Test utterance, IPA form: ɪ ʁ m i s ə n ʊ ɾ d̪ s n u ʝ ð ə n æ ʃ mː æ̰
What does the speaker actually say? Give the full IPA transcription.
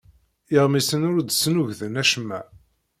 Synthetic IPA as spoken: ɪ ʁ m i s ə n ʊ ɾ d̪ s n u ʝ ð ə n æ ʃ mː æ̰